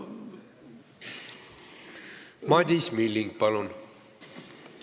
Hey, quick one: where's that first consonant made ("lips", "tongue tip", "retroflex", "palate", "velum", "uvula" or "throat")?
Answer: lips